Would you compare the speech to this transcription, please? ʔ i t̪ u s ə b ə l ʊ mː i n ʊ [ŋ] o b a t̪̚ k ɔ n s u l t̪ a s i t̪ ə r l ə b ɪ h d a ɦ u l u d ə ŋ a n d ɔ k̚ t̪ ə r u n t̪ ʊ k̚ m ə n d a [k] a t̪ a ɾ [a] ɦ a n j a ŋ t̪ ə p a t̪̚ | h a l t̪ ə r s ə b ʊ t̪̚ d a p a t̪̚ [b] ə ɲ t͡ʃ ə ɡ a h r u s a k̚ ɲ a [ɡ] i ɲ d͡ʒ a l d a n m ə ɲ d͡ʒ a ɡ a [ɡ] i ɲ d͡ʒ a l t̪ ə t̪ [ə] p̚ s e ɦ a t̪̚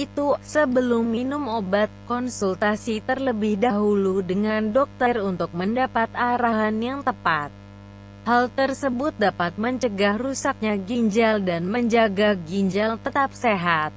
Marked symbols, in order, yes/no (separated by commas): no, no, yes, no, yes, yes, no